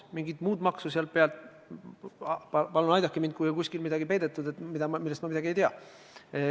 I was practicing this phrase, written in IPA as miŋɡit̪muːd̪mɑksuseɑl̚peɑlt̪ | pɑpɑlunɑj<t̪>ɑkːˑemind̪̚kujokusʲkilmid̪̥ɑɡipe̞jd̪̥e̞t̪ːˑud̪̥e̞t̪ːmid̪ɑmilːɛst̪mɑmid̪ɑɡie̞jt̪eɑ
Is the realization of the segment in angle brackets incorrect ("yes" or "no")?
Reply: yes